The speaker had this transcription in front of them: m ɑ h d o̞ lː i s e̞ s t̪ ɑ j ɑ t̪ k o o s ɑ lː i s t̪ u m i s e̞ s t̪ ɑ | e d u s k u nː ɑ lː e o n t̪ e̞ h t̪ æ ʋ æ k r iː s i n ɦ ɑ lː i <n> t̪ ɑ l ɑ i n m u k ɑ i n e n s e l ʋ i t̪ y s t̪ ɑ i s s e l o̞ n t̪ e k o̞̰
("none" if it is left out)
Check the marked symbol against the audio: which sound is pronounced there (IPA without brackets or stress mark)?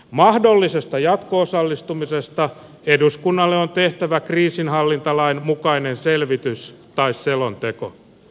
n